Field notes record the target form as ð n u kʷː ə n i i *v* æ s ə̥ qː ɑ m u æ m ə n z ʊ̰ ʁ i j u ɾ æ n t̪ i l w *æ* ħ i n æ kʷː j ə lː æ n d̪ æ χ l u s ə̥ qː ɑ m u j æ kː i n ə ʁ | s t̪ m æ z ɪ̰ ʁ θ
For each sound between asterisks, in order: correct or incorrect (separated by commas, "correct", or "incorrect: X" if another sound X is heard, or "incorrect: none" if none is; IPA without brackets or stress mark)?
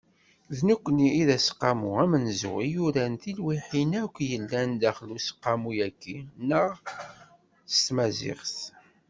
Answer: incorrect: ð, incorrect: i